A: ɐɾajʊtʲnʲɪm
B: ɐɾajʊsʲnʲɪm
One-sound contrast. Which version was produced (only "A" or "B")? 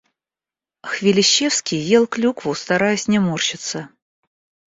B